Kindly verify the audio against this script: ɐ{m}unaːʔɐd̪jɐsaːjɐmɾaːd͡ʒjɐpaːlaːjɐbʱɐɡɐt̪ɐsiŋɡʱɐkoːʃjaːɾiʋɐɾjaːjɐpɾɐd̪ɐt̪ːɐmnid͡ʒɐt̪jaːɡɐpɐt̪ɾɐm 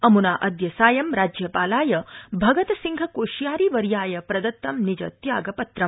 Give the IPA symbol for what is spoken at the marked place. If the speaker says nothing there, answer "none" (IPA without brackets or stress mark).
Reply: m